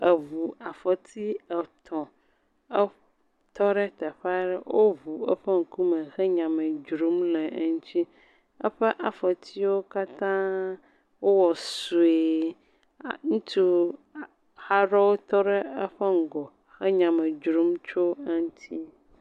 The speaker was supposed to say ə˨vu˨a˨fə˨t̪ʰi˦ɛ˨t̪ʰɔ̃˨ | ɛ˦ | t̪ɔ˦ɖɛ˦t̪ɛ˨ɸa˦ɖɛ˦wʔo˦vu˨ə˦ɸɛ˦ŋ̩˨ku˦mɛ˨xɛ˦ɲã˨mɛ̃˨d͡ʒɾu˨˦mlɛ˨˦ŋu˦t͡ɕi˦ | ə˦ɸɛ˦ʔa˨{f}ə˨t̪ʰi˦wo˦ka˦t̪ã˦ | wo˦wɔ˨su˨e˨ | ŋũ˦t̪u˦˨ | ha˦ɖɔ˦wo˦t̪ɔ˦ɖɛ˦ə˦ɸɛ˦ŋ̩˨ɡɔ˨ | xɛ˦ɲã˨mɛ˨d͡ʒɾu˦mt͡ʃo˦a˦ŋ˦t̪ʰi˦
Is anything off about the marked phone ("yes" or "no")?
no